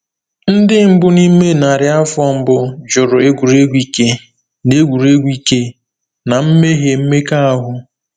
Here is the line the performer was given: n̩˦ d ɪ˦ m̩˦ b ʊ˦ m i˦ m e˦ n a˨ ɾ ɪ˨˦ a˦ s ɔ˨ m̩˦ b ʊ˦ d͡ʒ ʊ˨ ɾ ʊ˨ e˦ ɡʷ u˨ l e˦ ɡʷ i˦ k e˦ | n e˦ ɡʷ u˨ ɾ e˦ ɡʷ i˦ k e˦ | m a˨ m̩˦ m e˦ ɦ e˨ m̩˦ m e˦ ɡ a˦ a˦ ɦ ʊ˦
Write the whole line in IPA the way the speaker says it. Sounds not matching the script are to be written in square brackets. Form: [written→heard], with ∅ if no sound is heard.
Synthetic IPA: n̩˦ d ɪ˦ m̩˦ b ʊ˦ [m→n] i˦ m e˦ n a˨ ɾ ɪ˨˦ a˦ [s→f] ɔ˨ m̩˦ b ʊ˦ d͡ʒ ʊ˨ ɾ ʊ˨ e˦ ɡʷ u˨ [l→ɾ] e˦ ɡʷ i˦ k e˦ | n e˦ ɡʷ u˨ ɾ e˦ ɡʷ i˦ k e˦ | [m→n] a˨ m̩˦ m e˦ ɦ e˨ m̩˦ m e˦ [ɡ→k] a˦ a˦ ɦ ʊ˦